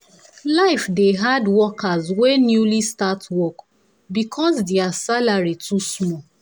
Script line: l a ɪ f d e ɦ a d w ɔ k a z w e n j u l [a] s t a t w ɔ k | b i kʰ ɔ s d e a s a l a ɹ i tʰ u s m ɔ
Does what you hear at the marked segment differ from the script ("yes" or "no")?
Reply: yes